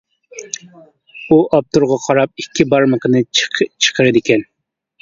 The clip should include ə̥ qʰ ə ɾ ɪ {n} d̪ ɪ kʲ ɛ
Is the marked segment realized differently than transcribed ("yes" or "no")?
yes